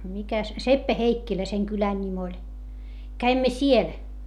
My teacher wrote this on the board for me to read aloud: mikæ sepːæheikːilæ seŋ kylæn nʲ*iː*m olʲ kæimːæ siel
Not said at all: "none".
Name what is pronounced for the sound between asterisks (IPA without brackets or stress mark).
i